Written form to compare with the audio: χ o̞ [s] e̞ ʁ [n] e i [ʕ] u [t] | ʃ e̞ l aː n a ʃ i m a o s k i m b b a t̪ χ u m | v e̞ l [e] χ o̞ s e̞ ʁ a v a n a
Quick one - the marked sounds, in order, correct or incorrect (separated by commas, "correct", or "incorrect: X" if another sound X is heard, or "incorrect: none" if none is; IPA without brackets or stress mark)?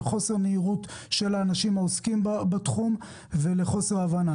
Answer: correct, correct, incorrect: ʁ, correct, correct